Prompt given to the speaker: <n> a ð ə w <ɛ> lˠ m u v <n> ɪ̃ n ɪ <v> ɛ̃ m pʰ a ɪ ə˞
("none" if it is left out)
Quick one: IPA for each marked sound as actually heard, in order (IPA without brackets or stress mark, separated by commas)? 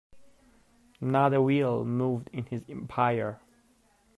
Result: n, i, d, z